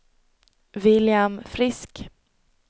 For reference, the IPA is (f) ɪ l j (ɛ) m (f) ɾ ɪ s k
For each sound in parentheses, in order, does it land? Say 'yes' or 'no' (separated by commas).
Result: no, no, yes